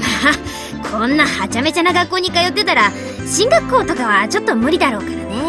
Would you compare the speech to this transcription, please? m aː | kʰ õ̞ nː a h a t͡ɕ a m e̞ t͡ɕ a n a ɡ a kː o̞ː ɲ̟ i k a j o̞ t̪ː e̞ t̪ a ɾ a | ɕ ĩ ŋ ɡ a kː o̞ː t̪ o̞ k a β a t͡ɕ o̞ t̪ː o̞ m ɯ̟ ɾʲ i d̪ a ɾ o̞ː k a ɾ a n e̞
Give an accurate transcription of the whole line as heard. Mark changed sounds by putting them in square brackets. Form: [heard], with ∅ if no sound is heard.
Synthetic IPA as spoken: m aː | kʰ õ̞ nː a h a t͡ɕ a m e̞ t͡ɕ a n a ɡ a kː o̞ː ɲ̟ i k a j o̞ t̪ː e̞ t̪ a ɾ a | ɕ ĩ ŋ ɡ a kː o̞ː t̪ o̞ k a β a t͡ɕ o̞ t̪ː o̞ m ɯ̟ ɾʲ i d̪ a ɾ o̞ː k a ɾ a n e̞